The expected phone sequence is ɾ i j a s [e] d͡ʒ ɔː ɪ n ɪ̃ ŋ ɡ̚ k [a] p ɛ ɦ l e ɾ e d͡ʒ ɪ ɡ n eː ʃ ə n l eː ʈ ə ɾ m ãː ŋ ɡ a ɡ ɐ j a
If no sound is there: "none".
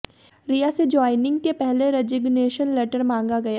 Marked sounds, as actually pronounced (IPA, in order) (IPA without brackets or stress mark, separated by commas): e, e